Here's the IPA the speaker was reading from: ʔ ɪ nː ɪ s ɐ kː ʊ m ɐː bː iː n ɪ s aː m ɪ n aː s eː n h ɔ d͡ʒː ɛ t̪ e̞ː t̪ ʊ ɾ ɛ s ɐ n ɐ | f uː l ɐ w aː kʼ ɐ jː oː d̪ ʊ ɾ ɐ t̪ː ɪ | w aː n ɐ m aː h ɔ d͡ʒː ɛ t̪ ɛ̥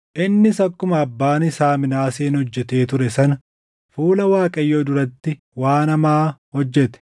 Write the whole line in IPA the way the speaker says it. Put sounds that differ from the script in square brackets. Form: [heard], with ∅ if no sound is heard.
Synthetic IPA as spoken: ʔ ɪ nː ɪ s ɐ kː ʊ m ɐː bː [aː] n ɪ s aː m ɪ n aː s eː n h ɔ d͡ʒː ɛ t̪ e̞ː t̪ ʊ ɾ ɛ s ɐ n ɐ | f uː l ɐ w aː kʼ ɐ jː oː d̪ ʊ ɾ ɐ t̪ː ɪ | w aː n ɐ m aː h ɔ d͡ʒː ɛ t̪ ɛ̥